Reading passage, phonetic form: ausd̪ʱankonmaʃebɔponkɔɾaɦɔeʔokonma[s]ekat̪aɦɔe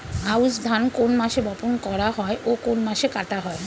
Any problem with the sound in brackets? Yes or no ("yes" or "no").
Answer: yes